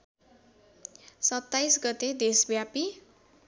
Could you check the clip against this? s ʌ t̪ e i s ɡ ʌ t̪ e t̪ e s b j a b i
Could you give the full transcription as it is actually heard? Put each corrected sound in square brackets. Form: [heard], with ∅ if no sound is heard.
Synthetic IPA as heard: s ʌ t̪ [a] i s ɡ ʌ t̪ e [d̪] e s b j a [p] i

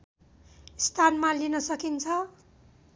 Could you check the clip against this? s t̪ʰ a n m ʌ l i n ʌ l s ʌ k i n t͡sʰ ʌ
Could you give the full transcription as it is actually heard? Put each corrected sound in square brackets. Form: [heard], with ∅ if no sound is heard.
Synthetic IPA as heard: s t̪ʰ a n m [a] l i n ʌ [∅] s ʌ k i n t͡sʰ ʌ

